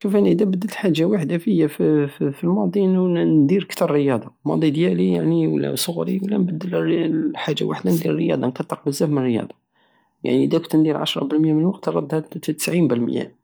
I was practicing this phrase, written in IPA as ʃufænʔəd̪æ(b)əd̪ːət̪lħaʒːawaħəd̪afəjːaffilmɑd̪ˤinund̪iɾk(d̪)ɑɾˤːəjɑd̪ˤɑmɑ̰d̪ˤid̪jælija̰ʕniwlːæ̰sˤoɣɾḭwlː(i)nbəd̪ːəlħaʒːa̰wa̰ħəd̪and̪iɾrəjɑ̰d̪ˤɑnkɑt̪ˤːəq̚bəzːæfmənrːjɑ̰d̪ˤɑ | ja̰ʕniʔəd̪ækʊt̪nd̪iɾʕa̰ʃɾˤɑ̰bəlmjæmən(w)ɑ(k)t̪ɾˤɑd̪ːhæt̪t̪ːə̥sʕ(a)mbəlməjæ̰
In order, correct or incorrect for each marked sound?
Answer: correct, incorrect, incorrect, correct, incorrect, incorrect

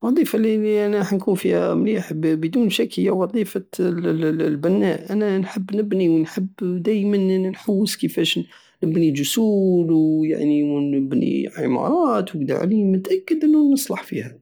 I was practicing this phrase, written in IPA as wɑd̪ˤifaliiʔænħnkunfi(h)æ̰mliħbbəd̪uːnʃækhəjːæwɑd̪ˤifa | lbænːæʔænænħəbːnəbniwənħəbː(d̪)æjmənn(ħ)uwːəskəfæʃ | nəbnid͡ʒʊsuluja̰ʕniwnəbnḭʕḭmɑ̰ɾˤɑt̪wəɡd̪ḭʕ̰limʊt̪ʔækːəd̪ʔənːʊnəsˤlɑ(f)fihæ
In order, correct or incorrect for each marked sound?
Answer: correct, correct, correct, incorrect

